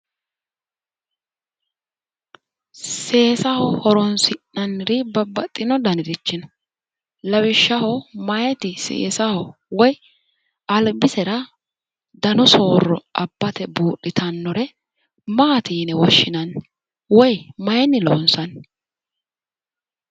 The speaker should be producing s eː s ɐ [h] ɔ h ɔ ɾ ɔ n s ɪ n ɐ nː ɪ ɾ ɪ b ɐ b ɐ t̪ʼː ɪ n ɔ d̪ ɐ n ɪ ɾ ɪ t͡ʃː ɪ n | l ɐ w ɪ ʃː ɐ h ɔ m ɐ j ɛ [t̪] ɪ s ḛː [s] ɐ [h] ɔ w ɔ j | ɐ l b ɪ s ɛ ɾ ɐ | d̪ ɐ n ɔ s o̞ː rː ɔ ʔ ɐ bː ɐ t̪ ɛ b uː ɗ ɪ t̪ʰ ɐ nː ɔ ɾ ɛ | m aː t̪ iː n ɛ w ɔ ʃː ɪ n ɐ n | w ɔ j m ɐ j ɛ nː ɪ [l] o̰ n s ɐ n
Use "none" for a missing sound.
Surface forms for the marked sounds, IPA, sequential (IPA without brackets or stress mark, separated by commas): h, t̪, s, h, l